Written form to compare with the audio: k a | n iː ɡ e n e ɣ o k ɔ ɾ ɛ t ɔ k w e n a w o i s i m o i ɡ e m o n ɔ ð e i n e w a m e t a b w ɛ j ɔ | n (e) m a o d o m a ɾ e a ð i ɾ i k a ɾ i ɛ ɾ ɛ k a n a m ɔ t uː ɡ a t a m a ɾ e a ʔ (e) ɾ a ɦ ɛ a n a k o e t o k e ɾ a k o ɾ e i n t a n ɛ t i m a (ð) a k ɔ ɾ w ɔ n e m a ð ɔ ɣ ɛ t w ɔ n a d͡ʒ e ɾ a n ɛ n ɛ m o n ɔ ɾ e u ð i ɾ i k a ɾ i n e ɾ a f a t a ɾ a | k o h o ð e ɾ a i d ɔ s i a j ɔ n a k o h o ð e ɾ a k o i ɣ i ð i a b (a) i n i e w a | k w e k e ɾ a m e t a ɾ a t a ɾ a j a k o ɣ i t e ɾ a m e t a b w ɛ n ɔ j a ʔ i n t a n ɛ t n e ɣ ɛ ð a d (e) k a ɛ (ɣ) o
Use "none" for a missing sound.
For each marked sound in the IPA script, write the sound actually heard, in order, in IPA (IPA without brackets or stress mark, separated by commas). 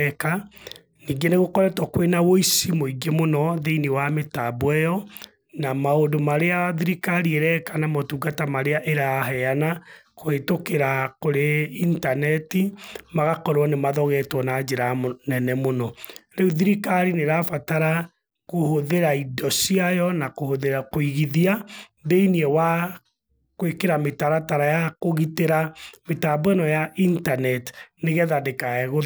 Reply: a, e, ɣ, e, e, ɣ